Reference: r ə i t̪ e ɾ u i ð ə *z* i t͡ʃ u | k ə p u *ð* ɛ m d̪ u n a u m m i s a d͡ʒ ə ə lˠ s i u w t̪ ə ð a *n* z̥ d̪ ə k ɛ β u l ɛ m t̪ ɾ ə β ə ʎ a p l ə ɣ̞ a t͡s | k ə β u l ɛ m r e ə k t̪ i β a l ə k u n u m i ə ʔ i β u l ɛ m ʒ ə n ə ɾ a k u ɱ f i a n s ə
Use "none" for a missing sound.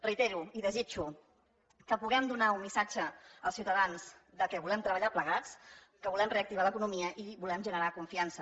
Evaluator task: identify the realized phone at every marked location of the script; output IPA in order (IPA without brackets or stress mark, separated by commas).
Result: z, ɣ, n